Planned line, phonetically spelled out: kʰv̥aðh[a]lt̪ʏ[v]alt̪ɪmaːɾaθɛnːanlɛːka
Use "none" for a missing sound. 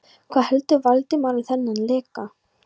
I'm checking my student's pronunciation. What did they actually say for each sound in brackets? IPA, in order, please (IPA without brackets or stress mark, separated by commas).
ɛ, v